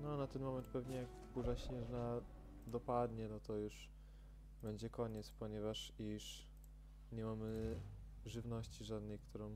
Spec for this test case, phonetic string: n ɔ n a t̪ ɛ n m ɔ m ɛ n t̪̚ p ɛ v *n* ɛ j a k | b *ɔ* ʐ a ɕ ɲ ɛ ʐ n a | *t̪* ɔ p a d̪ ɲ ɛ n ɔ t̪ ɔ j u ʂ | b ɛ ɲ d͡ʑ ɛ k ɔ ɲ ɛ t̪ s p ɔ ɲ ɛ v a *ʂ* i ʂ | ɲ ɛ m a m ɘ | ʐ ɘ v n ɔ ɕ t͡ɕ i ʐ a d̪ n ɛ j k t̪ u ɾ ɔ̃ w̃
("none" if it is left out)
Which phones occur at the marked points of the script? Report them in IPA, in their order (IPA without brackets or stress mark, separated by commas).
ɲ, u, d̪, ʂ